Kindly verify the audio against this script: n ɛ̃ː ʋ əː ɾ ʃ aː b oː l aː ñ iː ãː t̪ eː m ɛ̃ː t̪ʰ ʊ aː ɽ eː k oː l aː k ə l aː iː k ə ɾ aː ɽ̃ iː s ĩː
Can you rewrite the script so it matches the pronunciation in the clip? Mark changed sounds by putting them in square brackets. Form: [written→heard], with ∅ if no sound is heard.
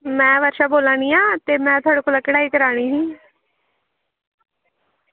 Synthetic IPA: [n→m] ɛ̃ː ʋ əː ɾ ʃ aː b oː l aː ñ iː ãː t̪ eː m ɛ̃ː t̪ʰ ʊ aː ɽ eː k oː l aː k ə [l→ɽ] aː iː k ə ɾ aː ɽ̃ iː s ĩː